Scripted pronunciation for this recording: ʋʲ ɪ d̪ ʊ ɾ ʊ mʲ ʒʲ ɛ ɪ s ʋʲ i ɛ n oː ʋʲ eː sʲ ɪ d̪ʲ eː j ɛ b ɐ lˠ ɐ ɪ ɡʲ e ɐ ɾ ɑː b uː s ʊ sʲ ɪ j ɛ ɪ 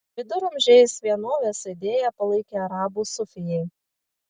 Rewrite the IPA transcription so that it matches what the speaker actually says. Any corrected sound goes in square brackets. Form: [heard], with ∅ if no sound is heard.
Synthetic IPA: ʋʲ ɪ d̪ ʊ ɾ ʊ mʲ ʒʲ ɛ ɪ s ʋʲ i ɛ n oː ʋʲ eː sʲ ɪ d̪ʲ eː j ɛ [p] ɐ lˠ ɐ ɪ [kʲ] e ɐ ɾ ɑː b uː s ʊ [fʲ] ɪ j ɛ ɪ